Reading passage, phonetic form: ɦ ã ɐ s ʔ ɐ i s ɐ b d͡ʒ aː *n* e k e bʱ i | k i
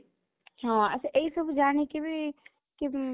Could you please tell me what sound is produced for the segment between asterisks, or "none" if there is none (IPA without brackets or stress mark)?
n